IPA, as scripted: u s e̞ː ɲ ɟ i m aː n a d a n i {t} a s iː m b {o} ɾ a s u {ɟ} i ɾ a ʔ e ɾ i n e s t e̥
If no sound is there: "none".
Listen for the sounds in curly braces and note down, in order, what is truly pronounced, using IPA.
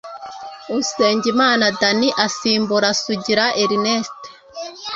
ʔ, u, ɟ

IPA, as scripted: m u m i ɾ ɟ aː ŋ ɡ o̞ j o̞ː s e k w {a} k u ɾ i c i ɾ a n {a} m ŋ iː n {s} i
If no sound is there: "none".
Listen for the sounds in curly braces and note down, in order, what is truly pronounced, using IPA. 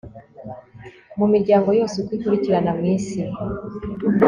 i, a, s

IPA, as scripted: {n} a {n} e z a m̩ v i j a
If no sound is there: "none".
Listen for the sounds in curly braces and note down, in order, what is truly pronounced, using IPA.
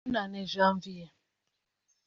n, n

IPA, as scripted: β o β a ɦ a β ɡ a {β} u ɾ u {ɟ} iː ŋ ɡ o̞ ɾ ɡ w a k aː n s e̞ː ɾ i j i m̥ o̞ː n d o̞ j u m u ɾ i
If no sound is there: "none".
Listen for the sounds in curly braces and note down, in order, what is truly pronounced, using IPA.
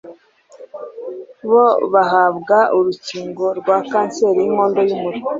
none, c

